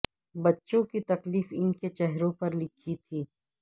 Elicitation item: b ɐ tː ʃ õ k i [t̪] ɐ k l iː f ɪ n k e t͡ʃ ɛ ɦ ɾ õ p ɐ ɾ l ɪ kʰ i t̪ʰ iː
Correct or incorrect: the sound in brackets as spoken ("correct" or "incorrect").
correct